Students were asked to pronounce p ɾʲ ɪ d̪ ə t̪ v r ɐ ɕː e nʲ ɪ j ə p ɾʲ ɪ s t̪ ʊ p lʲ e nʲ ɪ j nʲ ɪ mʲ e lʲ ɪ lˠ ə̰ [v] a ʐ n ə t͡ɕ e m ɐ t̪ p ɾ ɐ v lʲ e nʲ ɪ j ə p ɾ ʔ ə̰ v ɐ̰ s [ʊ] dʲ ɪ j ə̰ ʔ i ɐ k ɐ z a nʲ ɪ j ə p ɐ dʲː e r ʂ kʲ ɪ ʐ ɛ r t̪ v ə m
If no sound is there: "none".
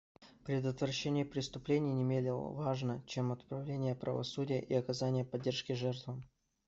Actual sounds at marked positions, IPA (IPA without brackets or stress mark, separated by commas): v, u